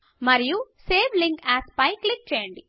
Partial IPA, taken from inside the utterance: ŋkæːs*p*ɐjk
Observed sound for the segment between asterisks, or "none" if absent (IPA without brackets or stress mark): p